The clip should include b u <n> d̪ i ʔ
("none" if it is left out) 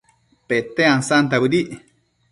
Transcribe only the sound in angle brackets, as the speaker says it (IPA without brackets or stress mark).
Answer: none